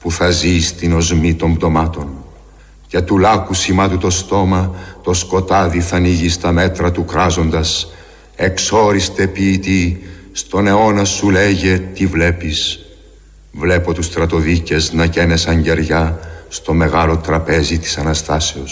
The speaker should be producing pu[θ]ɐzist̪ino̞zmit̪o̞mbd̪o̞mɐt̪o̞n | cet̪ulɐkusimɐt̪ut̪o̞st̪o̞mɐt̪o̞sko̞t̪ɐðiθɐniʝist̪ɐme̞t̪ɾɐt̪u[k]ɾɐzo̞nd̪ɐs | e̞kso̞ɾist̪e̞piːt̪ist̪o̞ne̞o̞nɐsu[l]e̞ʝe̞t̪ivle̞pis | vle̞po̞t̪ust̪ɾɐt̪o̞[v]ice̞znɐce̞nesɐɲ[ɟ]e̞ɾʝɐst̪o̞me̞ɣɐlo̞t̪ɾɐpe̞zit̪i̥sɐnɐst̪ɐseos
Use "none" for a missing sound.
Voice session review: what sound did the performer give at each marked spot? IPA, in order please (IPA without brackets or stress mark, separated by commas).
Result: θ, k, l, ð, ɟ